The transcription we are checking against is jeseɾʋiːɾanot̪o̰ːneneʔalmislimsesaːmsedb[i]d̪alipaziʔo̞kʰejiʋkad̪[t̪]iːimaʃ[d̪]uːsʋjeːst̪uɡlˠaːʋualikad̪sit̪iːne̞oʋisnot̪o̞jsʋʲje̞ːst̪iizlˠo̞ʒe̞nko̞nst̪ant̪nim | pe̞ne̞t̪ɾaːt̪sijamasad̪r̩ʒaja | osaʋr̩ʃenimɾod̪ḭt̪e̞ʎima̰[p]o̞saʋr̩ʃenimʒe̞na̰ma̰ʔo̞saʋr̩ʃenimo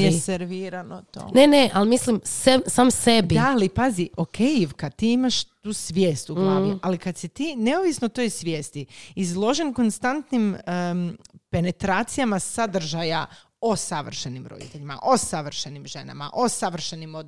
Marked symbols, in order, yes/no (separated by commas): yes, yes, no, no